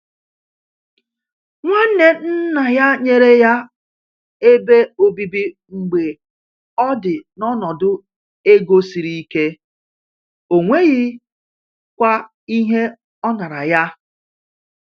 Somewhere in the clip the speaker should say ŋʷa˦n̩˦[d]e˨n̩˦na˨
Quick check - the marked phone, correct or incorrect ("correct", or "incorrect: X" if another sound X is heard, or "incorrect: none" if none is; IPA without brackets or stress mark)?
incorrect: n